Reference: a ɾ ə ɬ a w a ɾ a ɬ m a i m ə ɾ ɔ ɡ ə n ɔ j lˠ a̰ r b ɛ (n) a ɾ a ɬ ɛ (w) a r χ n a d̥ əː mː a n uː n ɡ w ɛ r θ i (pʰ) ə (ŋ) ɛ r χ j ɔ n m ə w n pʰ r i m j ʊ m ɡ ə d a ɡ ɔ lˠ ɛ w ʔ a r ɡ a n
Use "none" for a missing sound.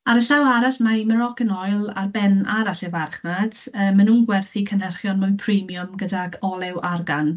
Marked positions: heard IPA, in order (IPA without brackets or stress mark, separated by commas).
n, v, kʰ, n